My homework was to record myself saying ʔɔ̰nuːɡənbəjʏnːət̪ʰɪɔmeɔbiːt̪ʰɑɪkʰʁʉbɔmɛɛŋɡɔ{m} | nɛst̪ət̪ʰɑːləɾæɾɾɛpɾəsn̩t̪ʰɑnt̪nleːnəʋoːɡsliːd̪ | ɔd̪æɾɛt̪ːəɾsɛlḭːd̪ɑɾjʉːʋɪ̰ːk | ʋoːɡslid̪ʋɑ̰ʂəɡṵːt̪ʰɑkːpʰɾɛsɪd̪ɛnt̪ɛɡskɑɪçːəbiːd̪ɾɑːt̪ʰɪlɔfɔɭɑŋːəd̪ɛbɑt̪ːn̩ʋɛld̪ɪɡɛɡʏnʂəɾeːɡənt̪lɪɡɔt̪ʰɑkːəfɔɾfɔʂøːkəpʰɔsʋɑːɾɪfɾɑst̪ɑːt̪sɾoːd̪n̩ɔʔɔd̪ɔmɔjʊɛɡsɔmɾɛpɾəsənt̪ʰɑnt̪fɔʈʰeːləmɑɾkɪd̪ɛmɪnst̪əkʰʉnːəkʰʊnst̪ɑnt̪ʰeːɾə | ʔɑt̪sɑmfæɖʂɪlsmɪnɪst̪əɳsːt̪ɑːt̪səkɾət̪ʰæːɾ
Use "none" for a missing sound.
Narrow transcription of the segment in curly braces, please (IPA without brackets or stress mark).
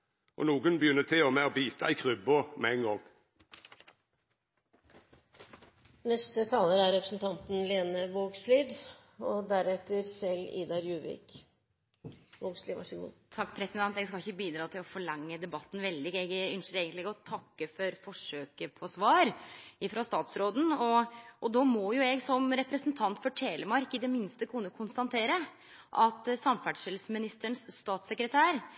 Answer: ŋ